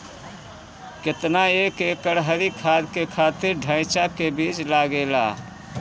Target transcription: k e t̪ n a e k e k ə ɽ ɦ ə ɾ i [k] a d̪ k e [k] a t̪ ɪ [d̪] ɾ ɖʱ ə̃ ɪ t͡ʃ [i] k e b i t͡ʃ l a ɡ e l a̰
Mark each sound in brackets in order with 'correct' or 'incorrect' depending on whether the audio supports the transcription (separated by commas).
incorrect, incorrect, incorrect, incorrect